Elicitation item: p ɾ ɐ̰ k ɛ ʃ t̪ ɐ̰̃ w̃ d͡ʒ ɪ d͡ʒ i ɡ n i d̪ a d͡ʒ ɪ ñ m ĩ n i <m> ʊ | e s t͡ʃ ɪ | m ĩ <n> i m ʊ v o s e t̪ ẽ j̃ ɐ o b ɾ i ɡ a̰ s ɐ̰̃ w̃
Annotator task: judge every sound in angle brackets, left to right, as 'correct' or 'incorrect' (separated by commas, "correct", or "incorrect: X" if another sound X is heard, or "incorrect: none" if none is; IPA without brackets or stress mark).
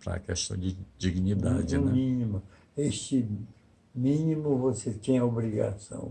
correct, correct